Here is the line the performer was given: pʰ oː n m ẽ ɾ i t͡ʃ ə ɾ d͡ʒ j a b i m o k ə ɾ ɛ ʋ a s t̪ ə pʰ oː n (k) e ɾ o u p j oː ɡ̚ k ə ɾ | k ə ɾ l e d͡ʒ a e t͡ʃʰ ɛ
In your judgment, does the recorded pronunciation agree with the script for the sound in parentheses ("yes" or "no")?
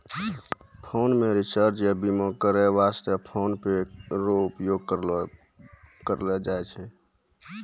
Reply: no